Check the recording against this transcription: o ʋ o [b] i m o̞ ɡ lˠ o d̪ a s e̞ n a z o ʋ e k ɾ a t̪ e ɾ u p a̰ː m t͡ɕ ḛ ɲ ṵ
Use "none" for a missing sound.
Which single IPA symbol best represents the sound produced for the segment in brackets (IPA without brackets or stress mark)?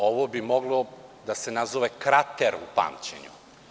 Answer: b